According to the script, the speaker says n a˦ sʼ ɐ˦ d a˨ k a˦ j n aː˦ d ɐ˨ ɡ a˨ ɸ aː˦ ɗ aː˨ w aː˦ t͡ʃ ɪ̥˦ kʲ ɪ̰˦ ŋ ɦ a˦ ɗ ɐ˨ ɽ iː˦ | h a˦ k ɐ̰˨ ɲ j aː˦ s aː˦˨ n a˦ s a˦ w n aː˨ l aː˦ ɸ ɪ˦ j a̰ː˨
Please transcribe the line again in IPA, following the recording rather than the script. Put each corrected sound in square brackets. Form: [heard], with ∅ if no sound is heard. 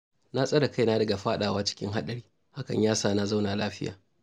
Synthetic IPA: n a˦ sʼ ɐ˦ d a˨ k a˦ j n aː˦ d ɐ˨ ɡ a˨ ɸ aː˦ ɗ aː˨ w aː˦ t͡ʃ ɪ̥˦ kʲ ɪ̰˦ ŋ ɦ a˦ ɗ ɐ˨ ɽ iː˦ | h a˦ k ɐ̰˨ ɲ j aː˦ s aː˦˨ n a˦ [z] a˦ w n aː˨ l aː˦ ɸ ɪ˦ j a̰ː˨